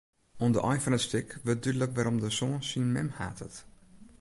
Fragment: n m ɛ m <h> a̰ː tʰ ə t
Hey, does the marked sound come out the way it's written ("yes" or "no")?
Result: yes